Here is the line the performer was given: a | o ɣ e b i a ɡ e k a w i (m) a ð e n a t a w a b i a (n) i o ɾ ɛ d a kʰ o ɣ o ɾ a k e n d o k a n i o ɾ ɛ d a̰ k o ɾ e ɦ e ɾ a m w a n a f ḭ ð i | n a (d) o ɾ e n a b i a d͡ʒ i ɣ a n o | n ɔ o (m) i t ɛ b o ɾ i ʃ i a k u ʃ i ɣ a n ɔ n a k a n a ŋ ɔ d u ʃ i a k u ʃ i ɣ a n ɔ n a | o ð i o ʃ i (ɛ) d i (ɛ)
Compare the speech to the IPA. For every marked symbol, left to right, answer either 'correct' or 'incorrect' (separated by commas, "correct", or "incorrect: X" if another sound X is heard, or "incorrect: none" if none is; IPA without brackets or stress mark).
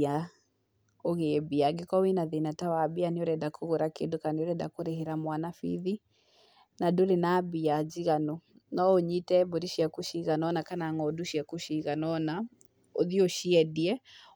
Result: incorrect: n, correct, correct, incorrect: ɲ, correct, correct